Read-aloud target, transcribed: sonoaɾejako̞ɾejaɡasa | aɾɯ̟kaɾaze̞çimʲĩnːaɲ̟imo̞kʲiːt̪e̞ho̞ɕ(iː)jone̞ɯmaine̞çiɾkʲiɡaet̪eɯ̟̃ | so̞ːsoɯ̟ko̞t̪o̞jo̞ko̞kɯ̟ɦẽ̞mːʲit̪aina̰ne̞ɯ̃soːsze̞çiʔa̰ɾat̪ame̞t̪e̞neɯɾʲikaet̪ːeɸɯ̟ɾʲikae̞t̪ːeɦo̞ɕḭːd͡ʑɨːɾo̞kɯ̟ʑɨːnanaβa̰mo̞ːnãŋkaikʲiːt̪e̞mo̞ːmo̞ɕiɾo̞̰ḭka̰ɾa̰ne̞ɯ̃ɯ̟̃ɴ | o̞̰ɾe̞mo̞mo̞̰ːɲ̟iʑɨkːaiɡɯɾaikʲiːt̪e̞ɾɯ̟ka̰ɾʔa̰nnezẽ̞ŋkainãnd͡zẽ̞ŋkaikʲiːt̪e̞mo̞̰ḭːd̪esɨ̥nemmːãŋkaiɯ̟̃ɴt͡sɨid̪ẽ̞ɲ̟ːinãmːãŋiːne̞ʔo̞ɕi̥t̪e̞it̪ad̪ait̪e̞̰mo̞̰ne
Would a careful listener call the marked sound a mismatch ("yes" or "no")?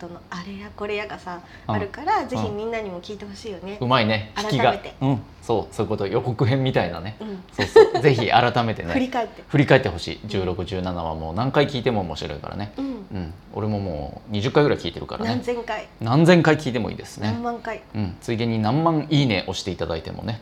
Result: no